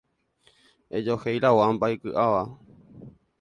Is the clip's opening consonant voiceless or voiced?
voiced